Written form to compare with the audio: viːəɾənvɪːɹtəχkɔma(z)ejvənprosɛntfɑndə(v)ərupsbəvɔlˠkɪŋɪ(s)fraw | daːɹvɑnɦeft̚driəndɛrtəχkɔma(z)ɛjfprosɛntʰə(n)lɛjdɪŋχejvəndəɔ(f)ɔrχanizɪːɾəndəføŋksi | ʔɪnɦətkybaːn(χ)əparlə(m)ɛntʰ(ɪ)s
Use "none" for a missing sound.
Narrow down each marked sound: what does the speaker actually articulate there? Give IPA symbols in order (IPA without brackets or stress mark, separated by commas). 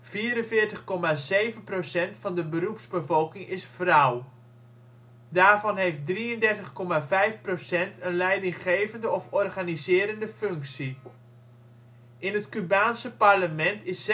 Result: z, b, s, v, n, f, s, m, ɪ